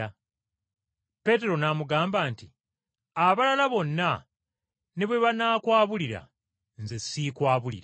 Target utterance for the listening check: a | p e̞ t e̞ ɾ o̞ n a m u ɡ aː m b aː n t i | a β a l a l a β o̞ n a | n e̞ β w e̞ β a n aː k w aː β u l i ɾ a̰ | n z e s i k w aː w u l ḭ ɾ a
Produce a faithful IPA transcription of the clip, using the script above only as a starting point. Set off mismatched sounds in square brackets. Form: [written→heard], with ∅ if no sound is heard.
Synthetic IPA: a | p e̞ t e̞ ɾ o̞ n a m u ɡ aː m b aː n t i | a β a l a l a β o̞ [n→nː] a | n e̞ β w e̞ β a n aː k w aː β u l i ɾ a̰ | n z e s i k w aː [w→β] u l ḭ ɾ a